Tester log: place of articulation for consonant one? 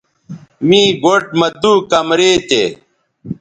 labial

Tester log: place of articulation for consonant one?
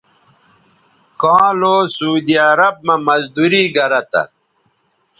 velar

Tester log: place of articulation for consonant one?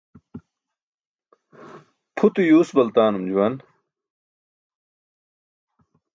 labial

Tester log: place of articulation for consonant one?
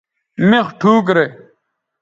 labial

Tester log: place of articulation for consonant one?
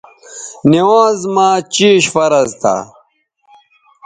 alveolar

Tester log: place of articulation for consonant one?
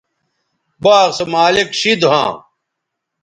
labial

